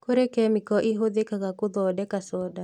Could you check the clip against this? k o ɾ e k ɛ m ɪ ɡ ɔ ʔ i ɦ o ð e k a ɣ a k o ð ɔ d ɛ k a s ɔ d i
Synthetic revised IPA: k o ɾ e k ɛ m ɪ k ɔ ʔ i ɦ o ð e k a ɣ a k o ð ɔ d ɛ k a s ɔ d a